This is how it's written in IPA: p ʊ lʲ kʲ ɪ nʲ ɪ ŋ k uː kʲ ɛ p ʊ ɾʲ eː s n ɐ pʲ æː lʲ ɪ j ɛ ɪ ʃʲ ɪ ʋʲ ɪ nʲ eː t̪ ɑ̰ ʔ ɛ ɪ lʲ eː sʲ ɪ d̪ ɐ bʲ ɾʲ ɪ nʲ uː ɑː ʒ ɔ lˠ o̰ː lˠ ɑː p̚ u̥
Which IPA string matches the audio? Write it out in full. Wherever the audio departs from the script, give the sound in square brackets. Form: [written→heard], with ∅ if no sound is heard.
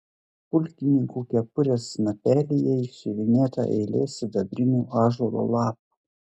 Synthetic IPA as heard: p ʊ lʲ kʲ ɪ nʲ ɪ ŋ k uː kʲ ɛ p ʊ ɾʲ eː s n ɐ pʲ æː lʲ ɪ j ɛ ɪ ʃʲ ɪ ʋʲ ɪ nʲ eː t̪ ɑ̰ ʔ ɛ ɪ lʲ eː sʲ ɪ d̪ ɐ bʲ ɾʲ ɪ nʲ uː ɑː ʒ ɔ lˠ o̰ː lˠ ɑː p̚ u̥